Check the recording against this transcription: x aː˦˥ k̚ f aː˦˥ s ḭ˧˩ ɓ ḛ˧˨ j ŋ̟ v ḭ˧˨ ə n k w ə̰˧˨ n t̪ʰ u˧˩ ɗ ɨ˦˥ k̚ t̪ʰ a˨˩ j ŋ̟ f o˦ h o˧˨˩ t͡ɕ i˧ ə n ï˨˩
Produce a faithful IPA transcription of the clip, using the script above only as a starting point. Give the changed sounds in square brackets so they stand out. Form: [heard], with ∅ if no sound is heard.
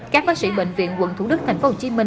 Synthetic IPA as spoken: [k] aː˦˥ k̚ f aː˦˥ s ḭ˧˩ ɓ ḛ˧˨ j ŋ̟ v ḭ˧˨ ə n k w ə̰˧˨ n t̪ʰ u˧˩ ɗ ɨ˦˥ k̚ t̪ʰ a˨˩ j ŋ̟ f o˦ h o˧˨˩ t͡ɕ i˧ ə [m] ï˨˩